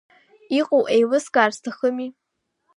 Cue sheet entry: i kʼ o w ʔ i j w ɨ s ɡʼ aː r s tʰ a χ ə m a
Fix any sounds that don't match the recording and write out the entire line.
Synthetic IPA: i qʼ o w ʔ e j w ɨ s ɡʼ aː r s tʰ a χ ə m i